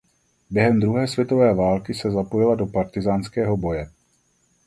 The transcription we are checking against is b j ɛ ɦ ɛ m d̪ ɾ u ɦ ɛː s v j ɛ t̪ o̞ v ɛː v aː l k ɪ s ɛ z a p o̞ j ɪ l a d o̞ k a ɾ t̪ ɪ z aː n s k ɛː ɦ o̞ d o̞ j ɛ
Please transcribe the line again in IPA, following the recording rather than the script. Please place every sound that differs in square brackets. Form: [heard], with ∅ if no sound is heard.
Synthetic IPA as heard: b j ɛ ɦ ɛ m d̪ ɾ u ɦ ɛː s v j ɛ t̪ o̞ v ɛː v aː l k ɪ s ɛ z a p o̞ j ɪ l a d o̞ [p] a ɾ t̪ ɪ z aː n s k ɛː ɦ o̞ [b] o̞ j ɛ